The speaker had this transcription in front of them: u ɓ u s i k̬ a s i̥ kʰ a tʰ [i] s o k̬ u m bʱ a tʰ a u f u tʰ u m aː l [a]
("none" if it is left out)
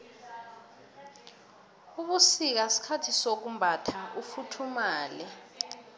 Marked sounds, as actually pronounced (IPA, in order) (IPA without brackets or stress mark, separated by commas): i, ɛ